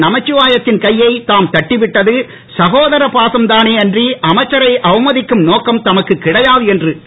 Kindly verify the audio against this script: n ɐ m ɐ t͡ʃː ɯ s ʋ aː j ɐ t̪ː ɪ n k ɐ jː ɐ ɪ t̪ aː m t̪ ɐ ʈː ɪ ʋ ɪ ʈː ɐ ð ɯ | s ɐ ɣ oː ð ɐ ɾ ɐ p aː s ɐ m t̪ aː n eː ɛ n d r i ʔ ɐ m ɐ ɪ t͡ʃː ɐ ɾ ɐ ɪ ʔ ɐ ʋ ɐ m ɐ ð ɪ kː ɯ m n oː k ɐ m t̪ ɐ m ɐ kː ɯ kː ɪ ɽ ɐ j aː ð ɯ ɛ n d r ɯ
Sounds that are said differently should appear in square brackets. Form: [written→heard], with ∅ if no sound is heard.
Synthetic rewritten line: n ɐ m ɐ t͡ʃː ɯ [s→∅] ʋ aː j ɐ t̪ː ɪ n k ɐ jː ɐ ɪ t̪ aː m t̪ ɐ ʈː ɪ ʋ ɪ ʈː ɐ ð ɯ | s ɐ ɣ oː ð ɐ ɾ ɐ p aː s ɐ m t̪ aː n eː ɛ n d r i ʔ ɐ m ɐ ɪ t͡ʃː ɐ ɾ ɐ ɪ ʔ ɐ ʋ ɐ m ɐ ð ɪ kː ɯ m n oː k ɐ m t̪ ɐ m ɐ kː ɯ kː ɪ ɽ ɐ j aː ð ɯ ɛ n d r ɯ